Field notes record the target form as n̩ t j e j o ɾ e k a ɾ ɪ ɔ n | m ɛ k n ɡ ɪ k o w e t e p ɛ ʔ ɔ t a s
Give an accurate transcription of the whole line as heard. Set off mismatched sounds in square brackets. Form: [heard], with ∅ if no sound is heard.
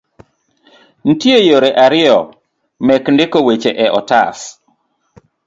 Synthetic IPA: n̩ t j e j o ɾ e [ʔ] a ɾ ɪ ɔ [∅] | m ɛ k n [d] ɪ k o w e [t͡ʃ] e [ʔ] ɛ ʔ ɔ t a s